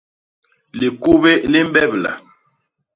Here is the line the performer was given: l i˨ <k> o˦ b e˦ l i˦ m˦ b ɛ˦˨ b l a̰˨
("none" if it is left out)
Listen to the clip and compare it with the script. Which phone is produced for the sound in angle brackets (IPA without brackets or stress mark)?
k